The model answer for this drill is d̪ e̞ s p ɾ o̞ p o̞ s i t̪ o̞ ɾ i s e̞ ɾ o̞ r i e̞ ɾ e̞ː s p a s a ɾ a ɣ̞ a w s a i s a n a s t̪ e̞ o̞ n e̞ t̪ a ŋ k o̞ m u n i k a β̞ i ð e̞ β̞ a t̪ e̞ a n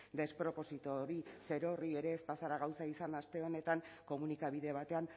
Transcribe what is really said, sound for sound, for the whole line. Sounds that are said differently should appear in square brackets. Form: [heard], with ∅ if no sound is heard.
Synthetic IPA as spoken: d̪ e̞ s p ɾ o̞ p o̞ s i t̪ o̞ ɾ i s e̞ ɾ o̞ r i e̞ ɾ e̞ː s p a s a ɾ a ɣ̞ a w s a i s a n a s t̪ e̞ o̞ n e̞ t̪ a ŋ k o̞ m u n i k a β̞ i ð e̞ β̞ a t̪ e̞ a n